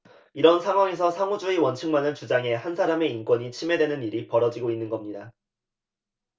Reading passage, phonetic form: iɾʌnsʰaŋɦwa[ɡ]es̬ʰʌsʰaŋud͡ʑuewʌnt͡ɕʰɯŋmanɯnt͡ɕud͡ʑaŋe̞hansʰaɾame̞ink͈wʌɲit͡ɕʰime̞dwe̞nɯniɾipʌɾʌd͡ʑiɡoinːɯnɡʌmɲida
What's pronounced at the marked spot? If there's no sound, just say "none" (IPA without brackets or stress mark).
ŋ